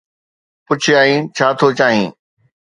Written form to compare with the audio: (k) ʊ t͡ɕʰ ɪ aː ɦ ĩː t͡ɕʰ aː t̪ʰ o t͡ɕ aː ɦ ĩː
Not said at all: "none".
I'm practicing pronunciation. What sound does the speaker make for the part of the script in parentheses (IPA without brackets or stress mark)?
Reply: p